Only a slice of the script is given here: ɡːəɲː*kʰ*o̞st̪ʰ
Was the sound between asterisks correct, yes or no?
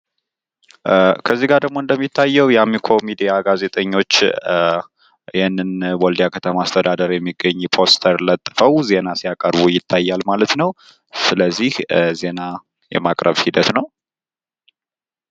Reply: no